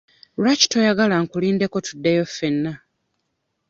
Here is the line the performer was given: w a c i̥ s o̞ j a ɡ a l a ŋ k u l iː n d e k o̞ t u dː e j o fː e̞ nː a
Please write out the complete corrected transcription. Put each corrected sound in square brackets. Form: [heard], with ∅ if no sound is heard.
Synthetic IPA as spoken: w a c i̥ [t] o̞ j a ɡ a l a ŋ k u l iː n d e k o̞ t u dː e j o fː e̞ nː a

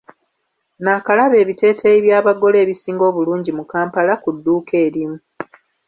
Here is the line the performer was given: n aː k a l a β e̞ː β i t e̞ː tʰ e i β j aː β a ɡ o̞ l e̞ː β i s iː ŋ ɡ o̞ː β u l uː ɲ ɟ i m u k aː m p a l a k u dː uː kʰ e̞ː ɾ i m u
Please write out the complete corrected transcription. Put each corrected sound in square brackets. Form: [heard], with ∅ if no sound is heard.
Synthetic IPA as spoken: n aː k a l a β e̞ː β i t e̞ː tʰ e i β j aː β a ɡ o̞ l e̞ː β i s iː ŋ ɡ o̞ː β u l uː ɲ ɟ i m u k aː m p a l a k u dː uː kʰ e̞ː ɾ i m u

